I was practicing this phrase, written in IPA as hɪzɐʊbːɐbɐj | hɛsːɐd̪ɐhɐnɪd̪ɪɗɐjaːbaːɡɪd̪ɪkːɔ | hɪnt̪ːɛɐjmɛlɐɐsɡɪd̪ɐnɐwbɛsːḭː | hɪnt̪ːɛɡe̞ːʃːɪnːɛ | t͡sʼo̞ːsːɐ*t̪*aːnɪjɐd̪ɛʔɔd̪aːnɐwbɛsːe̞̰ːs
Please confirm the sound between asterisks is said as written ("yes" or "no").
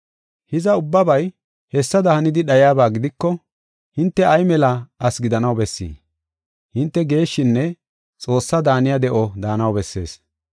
no